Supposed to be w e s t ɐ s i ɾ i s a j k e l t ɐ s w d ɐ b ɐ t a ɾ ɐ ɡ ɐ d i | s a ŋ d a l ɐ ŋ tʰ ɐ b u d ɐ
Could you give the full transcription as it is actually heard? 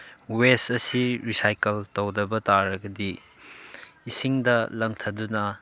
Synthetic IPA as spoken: w e s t ɐ s i ɾ i s a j k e l t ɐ w d ɐ b ɐ t a ɾ ɐ ɡ ɐ d i | s i ŋ d ɐ l ɐ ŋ tʰ ɐ d u n ɐ